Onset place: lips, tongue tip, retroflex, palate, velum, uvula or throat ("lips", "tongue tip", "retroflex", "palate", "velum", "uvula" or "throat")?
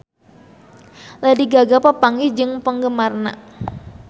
tongue tip